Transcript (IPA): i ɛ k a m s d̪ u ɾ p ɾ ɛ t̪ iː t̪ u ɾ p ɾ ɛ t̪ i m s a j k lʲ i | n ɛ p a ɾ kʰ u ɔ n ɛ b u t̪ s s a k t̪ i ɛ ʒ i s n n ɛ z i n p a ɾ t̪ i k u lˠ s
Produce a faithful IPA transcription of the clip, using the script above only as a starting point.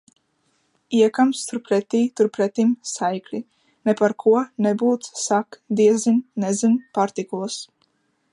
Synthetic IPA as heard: i ɛ k a m s t̪ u ɾ p ɾ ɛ t̪ iː t̪ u ɾ p ɾ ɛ t̪ i m s a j k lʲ i | n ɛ p a ɾ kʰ u ɔ n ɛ b uː t̪ s s a k d̪ i ɛ z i n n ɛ z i n p a ɾ t̪ i k u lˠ s